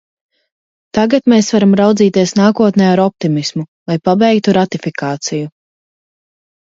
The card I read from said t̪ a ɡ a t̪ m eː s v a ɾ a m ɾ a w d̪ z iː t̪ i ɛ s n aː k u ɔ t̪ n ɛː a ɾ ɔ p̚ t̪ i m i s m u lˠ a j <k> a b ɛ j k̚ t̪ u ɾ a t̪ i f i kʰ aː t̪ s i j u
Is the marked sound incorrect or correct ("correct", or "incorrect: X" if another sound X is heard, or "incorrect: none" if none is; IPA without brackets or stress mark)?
incorrect: p